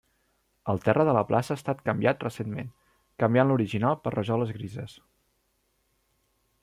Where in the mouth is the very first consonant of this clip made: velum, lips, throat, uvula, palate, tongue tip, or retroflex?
tongue tip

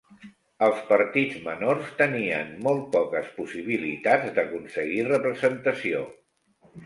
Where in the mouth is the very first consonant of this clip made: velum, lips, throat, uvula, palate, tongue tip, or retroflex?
tongue tip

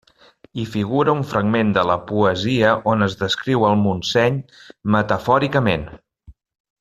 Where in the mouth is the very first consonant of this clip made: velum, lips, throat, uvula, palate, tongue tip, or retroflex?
lips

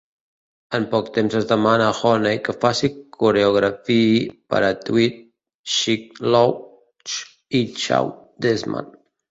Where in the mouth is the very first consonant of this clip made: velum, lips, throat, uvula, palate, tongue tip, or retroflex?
lips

